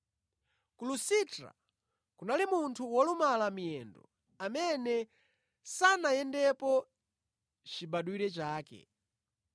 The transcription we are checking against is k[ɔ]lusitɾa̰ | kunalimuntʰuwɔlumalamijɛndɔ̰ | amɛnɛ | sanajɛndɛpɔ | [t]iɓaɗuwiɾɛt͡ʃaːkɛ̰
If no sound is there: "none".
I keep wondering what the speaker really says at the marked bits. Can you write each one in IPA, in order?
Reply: u, t͡ʃ

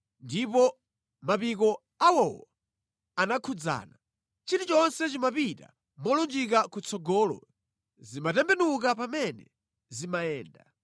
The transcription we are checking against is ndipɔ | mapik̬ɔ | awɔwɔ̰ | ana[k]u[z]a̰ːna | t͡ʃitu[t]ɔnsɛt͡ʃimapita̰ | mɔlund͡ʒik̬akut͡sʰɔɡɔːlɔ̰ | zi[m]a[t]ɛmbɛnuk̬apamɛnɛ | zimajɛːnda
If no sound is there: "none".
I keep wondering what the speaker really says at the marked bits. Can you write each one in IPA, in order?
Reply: kʰ, d͡z, t͡ʃ, m, t

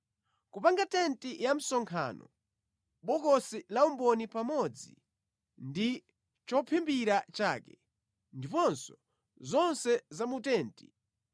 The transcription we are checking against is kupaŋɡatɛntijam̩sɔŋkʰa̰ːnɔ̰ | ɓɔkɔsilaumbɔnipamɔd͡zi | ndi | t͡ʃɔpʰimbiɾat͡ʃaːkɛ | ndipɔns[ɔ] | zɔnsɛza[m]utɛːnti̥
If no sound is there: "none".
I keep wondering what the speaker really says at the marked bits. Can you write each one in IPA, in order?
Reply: ɔ, m

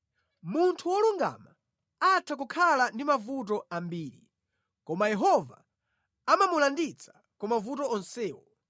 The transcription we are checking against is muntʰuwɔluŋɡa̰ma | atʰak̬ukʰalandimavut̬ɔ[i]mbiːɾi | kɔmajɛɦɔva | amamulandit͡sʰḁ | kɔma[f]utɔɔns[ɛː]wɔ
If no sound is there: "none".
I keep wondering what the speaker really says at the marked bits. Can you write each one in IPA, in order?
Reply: a, v, ɛː

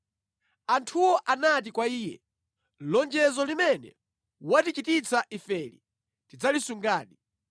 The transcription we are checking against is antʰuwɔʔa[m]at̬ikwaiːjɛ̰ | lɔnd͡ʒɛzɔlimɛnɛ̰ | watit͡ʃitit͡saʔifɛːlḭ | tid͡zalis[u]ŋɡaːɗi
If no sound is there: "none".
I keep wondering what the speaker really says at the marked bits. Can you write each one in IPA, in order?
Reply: n, u

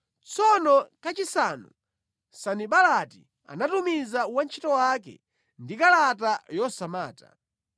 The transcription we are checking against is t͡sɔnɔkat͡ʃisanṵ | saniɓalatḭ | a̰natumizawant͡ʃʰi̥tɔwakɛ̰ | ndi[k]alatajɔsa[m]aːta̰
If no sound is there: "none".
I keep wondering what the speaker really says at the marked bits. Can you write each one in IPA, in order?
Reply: k, m

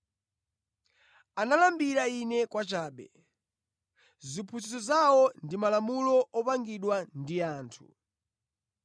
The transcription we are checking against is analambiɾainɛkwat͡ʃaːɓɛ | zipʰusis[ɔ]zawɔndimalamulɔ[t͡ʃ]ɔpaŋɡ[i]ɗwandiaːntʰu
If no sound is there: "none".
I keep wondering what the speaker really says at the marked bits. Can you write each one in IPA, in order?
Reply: ɔ, none, i

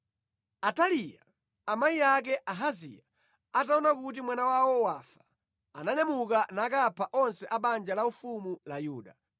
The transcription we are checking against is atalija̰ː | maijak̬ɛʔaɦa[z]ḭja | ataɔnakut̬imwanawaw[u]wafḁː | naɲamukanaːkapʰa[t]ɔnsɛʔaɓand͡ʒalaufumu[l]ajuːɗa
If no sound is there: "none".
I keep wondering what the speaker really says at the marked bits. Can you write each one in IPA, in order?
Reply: z, ɔ, ʔ, l

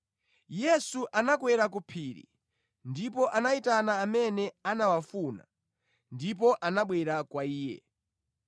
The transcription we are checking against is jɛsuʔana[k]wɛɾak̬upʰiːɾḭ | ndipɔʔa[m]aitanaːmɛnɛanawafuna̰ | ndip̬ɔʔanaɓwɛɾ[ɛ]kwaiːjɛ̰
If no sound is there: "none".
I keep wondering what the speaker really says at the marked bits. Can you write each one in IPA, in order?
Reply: k, n, a

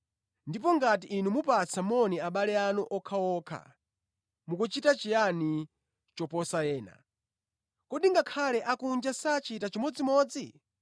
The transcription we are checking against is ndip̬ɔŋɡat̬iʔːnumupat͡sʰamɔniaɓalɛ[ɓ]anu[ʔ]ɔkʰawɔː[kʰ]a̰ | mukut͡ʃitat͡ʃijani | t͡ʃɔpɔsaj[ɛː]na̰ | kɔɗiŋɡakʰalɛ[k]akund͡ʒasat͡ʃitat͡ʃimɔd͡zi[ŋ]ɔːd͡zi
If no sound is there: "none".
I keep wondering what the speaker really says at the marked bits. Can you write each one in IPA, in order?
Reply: none, ʔ, kʰ, ɛː, ʔ, m

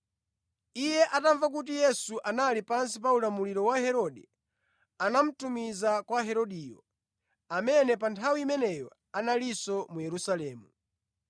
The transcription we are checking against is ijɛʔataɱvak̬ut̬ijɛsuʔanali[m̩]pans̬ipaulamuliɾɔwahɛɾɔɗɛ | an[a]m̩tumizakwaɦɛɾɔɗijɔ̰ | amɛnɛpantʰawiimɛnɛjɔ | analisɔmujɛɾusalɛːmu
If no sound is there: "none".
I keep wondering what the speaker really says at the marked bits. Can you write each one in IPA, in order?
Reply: none, a

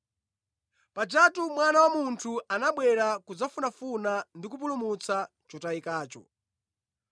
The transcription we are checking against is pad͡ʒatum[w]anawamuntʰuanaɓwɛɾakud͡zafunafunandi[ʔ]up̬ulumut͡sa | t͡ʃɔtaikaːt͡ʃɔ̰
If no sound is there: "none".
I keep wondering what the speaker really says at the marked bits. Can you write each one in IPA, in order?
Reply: w, k

